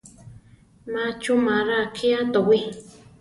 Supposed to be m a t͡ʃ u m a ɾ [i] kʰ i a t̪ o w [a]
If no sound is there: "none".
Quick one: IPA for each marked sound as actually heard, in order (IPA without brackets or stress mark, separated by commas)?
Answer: a, i